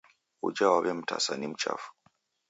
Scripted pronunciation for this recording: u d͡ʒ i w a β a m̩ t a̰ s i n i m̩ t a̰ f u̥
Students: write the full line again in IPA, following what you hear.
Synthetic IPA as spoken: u d͡ʒ a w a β ɛ m̩ t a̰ s a n i m̩ t͡ʃ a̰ f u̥

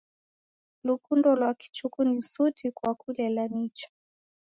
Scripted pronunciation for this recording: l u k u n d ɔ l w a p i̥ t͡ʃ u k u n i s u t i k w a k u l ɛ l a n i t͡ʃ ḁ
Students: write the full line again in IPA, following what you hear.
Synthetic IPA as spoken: l u k u n d ɔ l w a k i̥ t͡ʃ u k u n i s u t i k w a k u l ɛ l a n i t͡ʃ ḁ

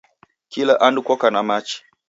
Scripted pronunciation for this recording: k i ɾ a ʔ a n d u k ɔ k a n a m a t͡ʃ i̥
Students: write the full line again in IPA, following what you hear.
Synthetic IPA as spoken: k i l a ʔ a n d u k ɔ k a n a m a t͡ʃ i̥

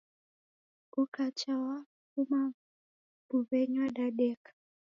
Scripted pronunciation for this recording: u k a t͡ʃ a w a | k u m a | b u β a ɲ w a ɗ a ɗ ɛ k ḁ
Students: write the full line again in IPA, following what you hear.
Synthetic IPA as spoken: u k a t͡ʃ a w a | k u m a | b u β ɛ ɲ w a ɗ a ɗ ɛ k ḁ

